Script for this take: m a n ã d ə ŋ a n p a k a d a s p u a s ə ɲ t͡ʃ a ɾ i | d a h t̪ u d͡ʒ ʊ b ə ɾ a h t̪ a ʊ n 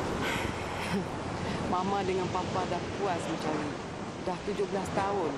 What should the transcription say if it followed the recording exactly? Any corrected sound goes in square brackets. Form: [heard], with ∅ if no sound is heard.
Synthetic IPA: m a [m] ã d ə ŋ a n p a [p] a d a [h] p u a s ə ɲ t͡ʃ a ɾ i | d a h t̪ u d͡ʒ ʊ b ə [l] a [s] t̪ a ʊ n

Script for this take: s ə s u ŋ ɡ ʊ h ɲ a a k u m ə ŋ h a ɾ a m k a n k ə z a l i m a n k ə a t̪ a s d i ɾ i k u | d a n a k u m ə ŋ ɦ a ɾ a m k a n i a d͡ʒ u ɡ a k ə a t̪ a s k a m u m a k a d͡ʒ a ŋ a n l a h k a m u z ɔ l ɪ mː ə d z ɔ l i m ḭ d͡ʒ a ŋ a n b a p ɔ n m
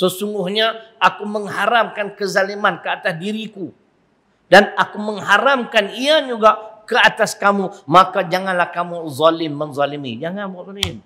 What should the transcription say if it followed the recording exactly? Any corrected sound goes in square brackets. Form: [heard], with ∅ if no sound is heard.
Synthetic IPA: s ə s u ŋ ɡ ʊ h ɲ a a k u m ə ŋ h a ɾ a m k a n k ə z a l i m a n k ə a t̪ a s d i ɾ i k u | d a n a k u m ə ŋ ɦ a ɾ a m k a n i a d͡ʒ u ɡ a k ə a t̪ a s k a m u m a k a d͡ʒ a ŋ a n l a h k a m u z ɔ l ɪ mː ə [n] z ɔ l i m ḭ d͡ʒ a ŋ a n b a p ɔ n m

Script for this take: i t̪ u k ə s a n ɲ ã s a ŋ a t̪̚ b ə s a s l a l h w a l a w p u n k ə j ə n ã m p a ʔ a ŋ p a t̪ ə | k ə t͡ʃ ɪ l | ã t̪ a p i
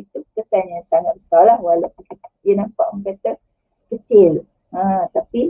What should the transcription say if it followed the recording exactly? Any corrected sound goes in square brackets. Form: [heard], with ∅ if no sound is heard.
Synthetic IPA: i t̪ u k ə s a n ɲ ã s a ŋ a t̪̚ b ə s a [∅] l a [∅] h w a l a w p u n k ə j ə n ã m p a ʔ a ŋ [k] a t̪ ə | k ə t͡ʃ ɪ l | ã t̪ a p i

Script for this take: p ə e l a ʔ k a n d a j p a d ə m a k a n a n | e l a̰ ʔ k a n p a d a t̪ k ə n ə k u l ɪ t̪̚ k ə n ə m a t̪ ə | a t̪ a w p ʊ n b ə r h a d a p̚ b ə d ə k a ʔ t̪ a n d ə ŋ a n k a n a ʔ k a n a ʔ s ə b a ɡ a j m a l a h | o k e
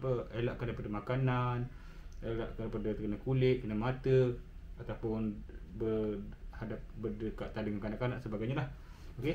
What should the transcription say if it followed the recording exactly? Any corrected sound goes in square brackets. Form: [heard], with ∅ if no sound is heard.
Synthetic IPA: p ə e l a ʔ k a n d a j p a d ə m a k a n a n | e l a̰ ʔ k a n p a d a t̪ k ə n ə k u l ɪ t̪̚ k ə n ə m a t̪ ə | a t̪ a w p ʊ n b ə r h a d a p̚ b ə d ə k a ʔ t̪ a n d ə ŋ a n k a n a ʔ k a n a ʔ s ə b a ɡ a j [ɲ] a l a h | o k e

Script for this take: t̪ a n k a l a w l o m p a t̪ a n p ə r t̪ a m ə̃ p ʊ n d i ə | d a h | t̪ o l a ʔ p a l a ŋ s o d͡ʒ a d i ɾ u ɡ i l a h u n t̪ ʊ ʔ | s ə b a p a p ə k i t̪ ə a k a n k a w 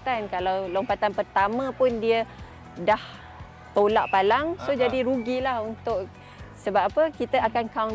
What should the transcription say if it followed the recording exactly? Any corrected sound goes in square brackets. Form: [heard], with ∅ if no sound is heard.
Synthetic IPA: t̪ a n k a l a w l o m p a t̪ a n p ə r t̪ a m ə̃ p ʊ n d i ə | d a h | t̪ o l a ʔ p a l a ŋ s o d͡ʒ a d i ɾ u ɡ i l a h u n t̪ ʊ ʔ | s ə b a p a p ə k i t̪ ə a k a n k a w

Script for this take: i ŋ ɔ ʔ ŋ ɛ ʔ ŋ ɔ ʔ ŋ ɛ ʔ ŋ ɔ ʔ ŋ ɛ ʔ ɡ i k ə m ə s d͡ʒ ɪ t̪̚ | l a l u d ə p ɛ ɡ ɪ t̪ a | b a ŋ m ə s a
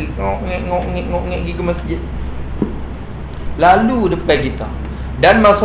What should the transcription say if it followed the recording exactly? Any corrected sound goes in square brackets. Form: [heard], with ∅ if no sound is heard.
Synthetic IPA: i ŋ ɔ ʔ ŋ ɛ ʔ ŋ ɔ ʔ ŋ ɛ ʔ ŋ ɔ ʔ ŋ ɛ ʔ ɡ i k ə m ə s d͡ʒ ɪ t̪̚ | l a l u d ə p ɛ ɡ [i] t̪ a | [d] a [n] m [a] s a

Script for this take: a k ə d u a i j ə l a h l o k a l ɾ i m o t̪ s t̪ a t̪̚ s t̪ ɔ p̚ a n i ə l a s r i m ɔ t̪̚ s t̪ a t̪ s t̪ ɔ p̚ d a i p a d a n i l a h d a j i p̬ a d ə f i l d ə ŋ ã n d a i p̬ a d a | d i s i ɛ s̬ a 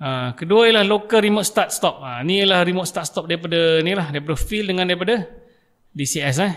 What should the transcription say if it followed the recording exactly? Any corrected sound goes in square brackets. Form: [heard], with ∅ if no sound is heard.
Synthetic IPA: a k ə d u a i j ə l a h l o k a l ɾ i m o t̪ s t̪ a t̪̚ s t̪ ɔ p̚ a n i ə l a [h] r i m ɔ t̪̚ s t̪ a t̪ s t̪ ɔ p̚ d a i p a d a n i l a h d a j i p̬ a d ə f i l d ə ŋ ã n d a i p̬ a d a | d i s i ɛ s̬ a

